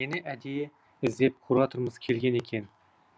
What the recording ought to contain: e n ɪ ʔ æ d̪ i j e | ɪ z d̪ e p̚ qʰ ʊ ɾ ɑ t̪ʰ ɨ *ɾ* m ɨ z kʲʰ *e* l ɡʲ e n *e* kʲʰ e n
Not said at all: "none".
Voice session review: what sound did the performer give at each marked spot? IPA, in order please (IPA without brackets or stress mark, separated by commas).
ɾ, e, e